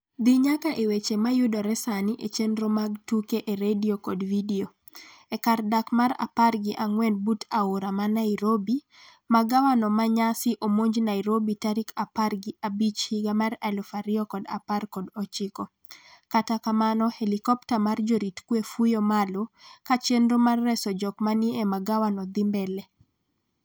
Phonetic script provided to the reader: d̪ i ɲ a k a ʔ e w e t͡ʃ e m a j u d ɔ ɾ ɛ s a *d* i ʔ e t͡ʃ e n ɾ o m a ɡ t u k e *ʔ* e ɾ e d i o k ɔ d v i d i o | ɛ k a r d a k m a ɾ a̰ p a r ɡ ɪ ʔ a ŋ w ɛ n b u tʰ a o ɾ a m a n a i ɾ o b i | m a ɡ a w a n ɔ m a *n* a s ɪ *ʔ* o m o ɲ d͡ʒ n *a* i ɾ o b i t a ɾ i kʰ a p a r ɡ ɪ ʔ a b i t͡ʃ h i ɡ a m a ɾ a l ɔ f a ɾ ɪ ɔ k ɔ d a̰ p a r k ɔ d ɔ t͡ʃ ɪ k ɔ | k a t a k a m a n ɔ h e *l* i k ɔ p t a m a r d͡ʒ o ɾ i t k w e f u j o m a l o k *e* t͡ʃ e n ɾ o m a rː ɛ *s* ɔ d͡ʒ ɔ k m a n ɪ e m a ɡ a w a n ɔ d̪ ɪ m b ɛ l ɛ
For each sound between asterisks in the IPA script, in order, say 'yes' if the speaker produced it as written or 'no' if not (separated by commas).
no, yes, no, yes, yes, yes, no, yes